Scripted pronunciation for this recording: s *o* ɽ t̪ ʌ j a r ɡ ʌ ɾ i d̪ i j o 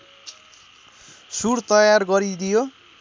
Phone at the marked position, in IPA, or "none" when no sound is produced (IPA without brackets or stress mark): u